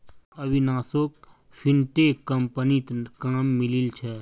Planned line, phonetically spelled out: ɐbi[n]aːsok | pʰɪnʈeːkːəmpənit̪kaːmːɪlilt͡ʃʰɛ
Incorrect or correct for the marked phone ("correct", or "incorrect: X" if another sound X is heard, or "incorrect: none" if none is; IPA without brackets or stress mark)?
correct